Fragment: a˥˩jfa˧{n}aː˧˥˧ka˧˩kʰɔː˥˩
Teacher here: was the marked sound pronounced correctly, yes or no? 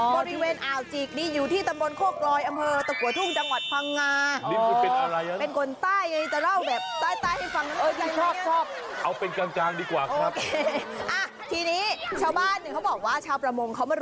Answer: no